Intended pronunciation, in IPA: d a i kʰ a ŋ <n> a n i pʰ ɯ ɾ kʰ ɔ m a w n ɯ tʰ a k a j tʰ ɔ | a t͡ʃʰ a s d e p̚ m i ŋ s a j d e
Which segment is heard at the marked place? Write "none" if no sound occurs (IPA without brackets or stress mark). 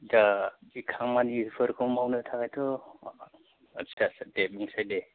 m